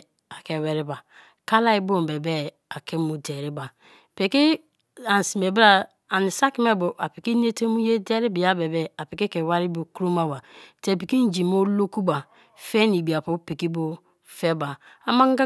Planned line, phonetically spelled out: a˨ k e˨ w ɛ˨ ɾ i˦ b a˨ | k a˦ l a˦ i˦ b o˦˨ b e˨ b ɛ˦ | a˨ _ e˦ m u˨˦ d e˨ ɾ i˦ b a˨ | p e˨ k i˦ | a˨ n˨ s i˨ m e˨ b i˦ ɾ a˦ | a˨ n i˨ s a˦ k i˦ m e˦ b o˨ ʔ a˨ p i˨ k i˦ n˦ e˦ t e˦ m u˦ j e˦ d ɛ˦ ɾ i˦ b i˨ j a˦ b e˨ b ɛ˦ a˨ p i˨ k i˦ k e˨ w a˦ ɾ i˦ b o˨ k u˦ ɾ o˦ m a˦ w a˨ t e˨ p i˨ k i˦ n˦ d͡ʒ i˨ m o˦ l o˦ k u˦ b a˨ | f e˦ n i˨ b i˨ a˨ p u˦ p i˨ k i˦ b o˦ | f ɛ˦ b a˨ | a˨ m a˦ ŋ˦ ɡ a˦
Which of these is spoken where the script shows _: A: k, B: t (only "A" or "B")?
A